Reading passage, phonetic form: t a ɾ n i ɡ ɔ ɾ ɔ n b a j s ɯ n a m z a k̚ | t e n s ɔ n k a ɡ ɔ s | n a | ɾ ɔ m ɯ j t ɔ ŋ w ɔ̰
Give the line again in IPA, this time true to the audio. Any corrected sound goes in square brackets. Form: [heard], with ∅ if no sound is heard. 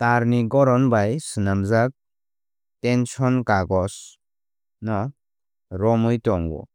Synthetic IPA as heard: t a ɾ n i ɡ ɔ ɾ ɔ n b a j s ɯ n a m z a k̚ | t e n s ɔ n k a ɡ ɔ s | n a | ɾ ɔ m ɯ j t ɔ ŋ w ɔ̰

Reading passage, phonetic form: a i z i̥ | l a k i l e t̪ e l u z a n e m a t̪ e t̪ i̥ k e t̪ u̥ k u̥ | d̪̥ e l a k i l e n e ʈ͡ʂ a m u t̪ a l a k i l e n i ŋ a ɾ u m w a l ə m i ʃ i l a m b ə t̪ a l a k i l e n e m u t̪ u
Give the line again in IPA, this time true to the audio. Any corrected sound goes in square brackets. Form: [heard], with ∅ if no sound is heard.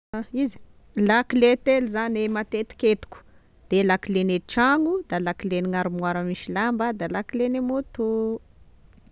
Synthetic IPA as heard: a i z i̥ | l a k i l e t̪ e l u z a n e m a t̪ e t̪ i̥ k e t̪ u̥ k u̥ | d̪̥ e l a k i l e n e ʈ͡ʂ a [ŋ] u [d̪] a l a k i l e n i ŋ a ɾ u m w a [ɾ] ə m i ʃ i l a m b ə [d̪] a l a k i l e n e m u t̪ u

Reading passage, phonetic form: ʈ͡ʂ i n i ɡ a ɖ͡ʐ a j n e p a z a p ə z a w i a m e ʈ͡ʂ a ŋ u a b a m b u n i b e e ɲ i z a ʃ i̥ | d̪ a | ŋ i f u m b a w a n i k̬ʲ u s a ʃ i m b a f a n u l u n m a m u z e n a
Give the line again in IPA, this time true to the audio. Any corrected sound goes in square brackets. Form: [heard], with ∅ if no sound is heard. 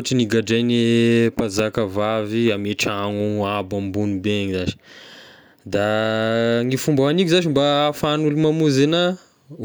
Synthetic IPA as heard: ʈ͡ʂ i n i ɡ a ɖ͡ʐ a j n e p a z a [k] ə [v] a [v] i a m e ʈ͡ʂ a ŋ u a b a m b u n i b e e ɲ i z a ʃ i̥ | d̪ a | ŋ i f u m b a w a n i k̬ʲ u [z] a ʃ i m b a f a n u l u [∅] m a m u z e n a

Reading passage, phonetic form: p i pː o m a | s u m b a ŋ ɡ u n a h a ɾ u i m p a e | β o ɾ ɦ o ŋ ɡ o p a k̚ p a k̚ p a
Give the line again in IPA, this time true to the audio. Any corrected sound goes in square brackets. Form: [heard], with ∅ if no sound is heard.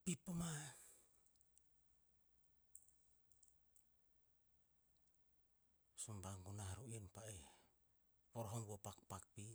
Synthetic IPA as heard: p i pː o m a | s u m b a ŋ ɡ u n a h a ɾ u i [n] p a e | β o ɾ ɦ o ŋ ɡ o p a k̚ p a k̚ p [i]

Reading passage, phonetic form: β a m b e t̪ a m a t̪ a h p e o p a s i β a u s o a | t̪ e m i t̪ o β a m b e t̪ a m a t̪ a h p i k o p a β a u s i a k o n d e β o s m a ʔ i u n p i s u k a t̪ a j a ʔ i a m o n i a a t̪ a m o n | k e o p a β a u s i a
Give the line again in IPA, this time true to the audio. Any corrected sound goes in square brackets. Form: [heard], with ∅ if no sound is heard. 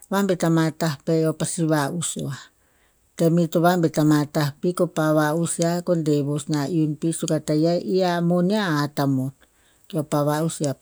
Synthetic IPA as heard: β a m b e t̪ a m a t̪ a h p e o p a s i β a u s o a | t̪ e m i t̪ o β a m b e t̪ a m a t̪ a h p i k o p a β a u s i a k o n d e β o s [n] a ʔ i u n p i s u k a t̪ a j a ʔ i a m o n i a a t̪ a m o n | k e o p a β a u s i a

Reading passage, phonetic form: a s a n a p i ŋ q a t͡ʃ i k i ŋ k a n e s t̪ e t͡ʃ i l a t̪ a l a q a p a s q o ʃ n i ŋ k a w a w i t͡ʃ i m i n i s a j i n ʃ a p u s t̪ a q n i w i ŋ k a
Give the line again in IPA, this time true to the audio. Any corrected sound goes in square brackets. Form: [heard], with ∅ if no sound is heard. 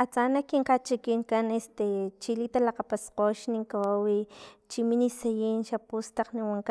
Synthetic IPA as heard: a [t͡s] a n a [k] i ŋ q a t͡ʃ i k i ŋ k a n e s t̪ e t͡ʃ i l [i] t̪ a l a q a p a s q o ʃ n i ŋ k a w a w i t͡ʃ i m i n i s a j i n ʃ a p u s t̪ a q n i w [a] ŋ k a

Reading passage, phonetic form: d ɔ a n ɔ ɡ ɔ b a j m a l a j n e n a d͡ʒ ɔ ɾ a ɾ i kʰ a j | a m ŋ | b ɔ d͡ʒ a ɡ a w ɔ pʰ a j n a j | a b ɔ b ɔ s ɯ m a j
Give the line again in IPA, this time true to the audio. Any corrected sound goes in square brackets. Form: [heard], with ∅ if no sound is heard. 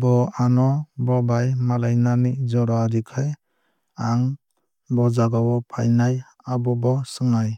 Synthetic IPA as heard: [b] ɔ a n ɔ [b] ɔ b a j m a l a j n [a] n [i] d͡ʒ ɔ ɾ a ɾ i kʰ a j | a [∅] ŋ | b ɔ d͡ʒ a ɡ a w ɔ pʰ a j n a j | a b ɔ b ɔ s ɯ [ŋ] a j

